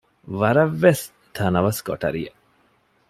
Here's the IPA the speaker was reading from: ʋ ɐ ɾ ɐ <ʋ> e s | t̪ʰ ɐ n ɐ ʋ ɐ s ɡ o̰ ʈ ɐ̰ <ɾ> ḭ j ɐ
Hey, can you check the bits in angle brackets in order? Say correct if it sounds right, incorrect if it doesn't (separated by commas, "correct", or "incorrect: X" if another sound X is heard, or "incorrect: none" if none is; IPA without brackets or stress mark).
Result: incorrect: ʋː, correct